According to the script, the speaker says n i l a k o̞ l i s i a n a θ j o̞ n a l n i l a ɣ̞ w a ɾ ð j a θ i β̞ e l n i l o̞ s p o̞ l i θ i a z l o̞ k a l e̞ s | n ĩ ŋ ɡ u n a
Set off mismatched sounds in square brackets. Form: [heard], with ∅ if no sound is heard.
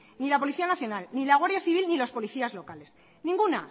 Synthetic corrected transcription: n i l a [p] o̞ l i [θ] i a n a θ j o̞ n a l n i l a ɣ̞ w a ɾ ð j a θ i β̞ [i] l n i l o̞ s p o̞ l i θ i a z l o̞ k a l e̞ s | n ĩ ŋ ɡ u n a